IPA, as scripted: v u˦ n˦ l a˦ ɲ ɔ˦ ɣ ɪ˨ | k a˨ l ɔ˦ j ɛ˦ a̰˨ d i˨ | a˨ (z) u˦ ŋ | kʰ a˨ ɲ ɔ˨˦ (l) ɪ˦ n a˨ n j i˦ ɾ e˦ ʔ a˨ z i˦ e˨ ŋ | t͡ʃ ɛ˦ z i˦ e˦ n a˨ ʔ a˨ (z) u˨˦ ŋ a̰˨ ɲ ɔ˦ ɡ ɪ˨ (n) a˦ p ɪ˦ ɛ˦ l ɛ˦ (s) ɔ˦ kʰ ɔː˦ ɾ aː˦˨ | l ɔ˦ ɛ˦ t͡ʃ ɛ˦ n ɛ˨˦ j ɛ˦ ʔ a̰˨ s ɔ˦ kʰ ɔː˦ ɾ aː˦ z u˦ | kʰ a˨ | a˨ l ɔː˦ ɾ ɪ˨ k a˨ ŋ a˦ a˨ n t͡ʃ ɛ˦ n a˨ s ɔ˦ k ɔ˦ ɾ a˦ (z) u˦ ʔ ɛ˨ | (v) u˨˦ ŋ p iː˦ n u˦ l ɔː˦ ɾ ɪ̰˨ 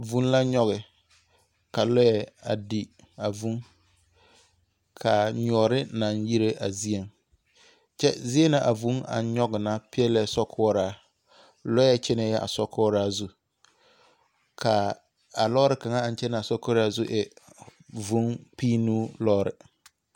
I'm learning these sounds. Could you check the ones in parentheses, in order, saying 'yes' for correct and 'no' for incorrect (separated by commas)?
no, no, no, yes, yes, yes, yes